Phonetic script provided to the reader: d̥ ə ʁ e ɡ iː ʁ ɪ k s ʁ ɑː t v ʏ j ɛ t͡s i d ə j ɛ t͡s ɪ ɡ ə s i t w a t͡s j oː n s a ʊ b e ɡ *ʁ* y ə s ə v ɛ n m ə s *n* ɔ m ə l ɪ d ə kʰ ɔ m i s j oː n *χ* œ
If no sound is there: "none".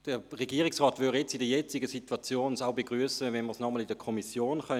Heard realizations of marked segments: ʁ, n, χ

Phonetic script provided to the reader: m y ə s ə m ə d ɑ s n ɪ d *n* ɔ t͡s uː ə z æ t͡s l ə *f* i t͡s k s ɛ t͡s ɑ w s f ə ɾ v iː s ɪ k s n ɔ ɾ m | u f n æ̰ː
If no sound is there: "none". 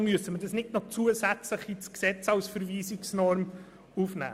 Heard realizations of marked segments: n, χ

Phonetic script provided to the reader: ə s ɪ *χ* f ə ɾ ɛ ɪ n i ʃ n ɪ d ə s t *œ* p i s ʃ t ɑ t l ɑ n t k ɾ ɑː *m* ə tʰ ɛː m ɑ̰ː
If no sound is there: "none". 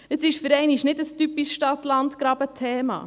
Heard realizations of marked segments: ʃ, y, b

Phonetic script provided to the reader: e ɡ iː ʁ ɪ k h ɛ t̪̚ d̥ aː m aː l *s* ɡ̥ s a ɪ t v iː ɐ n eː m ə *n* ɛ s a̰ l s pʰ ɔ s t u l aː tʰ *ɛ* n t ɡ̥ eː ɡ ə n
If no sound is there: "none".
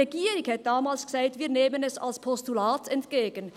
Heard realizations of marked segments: s, n, ɛ

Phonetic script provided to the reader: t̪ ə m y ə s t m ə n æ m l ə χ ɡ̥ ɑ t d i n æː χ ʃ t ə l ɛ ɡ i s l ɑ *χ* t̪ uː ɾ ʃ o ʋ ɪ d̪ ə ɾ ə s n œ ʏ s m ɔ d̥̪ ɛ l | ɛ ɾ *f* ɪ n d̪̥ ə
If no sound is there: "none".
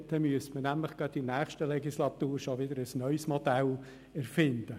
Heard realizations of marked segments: none, f

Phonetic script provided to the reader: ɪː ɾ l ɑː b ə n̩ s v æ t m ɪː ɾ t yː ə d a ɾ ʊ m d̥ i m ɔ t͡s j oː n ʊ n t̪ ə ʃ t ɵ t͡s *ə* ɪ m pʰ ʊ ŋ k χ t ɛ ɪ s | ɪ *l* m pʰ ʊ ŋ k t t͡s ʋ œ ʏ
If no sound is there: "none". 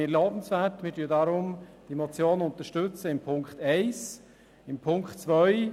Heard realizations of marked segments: ə, none

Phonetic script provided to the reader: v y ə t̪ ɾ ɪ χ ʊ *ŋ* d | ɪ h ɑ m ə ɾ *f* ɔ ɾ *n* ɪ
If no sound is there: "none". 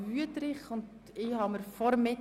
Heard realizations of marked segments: n, f, m

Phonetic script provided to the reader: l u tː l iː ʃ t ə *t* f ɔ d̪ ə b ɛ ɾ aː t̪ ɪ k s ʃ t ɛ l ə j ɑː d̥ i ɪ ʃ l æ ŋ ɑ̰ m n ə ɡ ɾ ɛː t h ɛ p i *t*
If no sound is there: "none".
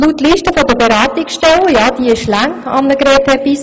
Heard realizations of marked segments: none, s

